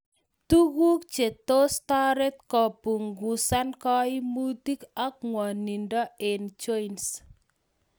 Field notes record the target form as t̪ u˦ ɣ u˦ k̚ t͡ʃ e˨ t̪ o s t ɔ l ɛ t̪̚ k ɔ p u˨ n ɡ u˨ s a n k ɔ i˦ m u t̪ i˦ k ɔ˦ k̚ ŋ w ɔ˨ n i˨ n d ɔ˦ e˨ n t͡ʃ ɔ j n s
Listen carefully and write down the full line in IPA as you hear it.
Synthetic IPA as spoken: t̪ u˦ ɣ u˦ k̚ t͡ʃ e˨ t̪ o s t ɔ ɾ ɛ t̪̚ k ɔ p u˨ ŋ ɡ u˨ s a n k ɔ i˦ m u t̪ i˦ k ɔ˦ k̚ ŋ w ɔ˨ n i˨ n d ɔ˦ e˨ n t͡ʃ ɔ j n s